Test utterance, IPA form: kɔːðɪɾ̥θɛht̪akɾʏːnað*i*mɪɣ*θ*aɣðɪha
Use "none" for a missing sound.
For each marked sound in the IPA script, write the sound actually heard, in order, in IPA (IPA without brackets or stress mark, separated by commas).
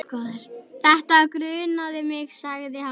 ɪ, s